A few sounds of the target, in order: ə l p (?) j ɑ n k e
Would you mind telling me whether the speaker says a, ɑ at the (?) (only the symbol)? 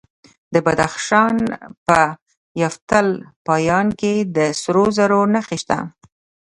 ɑ